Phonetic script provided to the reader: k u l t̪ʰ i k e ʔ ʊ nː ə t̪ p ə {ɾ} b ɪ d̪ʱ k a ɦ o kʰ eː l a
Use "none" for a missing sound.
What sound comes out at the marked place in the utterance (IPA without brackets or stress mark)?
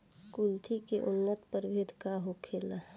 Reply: ɾ